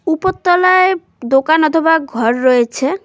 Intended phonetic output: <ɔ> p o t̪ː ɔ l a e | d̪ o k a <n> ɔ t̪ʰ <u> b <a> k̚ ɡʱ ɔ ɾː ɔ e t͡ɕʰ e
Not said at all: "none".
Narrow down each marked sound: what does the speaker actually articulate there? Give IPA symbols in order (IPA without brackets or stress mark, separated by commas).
u, n, o, a